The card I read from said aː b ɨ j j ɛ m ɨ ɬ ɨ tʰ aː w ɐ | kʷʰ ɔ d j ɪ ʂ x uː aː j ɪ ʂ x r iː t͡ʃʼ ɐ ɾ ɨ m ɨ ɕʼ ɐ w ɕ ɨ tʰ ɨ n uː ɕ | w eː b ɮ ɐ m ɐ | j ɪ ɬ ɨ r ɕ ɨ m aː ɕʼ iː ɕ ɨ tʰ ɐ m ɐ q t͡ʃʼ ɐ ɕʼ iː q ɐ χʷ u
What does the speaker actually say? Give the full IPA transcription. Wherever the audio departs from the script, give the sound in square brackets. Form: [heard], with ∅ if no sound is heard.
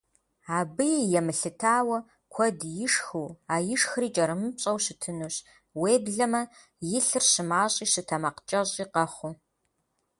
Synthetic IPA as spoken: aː b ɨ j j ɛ m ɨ ɬ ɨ tʰ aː w ɐ | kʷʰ ɔ d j ɪ ʂ x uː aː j ɪ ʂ x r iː t͡ʃʼ ɐ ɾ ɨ m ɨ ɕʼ ɐ w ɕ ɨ tʰ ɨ n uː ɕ | w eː b ɮ ɐ m ɐ | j ɪ ɬ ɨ r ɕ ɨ m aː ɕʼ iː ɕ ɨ tʰ ɐ m ɐ q t͡ʃʼ ɐ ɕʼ iː q ɐ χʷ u